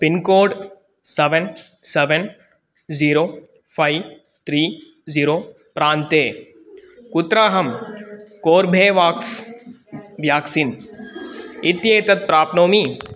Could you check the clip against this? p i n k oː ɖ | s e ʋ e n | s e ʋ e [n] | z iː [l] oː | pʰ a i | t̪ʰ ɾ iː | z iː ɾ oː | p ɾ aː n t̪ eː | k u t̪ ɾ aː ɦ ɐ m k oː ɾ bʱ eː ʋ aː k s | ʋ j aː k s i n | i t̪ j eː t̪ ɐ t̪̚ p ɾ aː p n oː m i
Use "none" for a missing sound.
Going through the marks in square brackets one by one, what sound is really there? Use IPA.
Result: n, ɾ

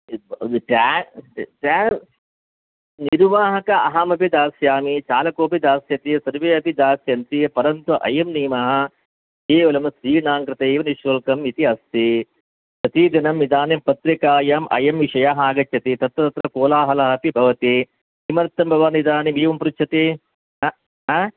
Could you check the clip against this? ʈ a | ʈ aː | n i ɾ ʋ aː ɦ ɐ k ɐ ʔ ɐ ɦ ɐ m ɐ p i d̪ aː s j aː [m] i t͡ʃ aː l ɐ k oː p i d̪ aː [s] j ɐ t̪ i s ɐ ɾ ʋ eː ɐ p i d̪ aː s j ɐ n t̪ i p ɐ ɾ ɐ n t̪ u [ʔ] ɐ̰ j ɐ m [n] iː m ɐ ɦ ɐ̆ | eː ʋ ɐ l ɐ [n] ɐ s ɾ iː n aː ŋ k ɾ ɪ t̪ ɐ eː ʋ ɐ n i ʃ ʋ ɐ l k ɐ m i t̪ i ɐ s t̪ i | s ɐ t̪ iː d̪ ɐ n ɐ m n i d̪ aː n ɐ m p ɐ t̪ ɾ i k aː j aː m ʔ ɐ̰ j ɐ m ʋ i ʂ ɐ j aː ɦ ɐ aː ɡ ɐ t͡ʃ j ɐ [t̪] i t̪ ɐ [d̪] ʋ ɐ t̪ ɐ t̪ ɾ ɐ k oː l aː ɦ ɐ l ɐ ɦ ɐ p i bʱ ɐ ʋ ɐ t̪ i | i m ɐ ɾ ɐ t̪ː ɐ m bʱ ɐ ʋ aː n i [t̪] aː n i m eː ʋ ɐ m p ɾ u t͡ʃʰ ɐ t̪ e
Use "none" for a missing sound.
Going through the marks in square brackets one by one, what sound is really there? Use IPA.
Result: m, s, ʔ, n, m, t̪, t̪, d̪

